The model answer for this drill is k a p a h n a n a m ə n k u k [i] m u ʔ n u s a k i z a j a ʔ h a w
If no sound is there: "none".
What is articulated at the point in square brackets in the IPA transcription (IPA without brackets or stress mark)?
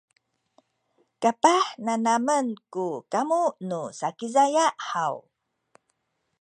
a